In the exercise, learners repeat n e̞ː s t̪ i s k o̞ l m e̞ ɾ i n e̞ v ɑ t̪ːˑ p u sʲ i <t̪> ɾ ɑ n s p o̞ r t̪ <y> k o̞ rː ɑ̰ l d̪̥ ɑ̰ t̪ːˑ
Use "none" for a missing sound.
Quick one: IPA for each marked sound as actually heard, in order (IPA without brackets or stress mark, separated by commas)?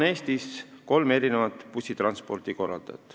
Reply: t̪, i